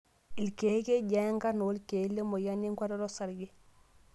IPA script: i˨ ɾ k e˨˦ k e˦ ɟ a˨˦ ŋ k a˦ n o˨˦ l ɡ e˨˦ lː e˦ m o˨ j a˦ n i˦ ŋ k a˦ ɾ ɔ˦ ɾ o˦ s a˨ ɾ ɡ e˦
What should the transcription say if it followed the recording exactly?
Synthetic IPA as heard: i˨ l k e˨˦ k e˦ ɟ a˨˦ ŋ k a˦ n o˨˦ l k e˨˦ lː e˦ m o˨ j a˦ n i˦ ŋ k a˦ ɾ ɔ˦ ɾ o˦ s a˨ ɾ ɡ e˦